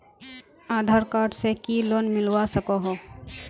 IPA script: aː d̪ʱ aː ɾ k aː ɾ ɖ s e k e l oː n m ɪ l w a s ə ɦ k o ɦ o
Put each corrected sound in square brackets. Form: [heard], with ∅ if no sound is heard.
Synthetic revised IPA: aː d̪ʱ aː ɾ k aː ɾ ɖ s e k [i] l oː n m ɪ l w a s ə [∅] k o ɦ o